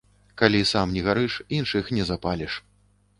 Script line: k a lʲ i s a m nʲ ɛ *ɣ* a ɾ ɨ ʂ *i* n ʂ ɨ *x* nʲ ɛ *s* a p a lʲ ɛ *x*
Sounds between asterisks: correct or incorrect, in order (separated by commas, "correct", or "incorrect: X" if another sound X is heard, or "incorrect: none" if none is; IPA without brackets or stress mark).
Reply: correct, correct, correct, incorrect: z, incorrect: ʂ